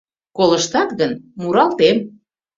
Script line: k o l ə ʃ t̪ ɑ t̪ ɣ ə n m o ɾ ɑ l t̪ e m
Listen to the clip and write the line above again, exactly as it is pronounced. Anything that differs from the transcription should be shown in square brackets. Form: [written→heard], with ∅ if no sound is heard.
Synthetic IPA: k o l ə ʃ t̪ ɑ t̪ ɣ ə n m [o→u] ɾ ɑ l t̪ e m